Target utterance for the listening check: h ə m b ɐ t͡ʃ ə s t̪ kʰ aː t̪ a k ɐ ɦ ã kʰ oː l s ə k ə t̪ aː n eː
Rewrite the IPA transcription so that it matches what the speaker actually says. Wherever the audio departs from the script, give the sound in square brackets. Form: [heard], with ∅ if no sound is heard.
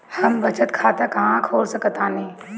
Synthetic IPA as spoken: h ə m b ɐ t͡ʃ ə [∅] t̪ kʰ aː t̪ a k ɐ ɦ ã kʰ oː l s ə k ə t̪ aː n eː